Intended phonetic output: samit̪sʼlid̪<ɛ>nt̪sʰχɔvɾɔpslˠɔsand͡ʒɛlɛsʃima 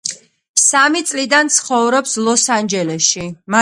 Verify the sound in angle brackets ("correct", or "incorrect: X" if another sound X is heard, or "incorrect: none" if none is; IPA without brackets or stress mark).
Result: incorrect: a